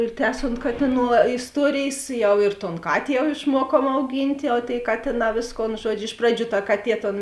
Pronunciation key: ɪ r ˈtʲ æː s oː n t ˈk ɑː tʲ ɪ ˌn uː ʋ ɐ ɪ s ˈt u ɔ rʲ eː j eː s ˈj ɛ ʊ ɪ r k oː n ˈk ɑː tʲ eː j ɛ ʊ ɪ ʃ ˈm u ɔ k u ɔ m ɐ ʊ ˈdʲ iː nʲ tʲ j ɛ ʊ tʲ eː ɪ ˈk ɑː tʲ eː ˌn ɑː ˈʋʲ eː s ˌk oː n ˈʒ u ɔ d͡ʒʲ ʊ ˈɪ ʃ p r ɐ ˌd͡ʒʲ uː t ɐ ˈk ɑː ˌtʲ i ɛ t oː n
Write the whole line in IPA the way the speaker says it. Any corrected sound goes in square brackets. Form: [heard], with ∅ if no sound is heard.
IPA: ɪ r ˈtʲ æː s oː n t ˈk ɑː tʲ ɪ ˌn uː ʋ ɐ ɪ s ˈt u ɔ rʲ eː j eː s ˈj ɛ ʊ ɪ r [t] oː n ˈk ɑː tʲ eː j ɛ ʊ ɪ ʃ ˈm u ɔ k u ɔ m ɐ ʊ [ˈɡʲ] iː nʲ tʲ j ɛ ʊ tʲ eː ɪ ˈk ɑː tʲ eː ˌn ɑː ˈʋʲ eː s ˌk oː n ˈʒ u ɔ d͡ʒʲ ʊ ˈɪ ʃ p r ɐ ˌd͡ʒʲ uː t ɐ ˈk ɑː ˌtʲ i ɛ t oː n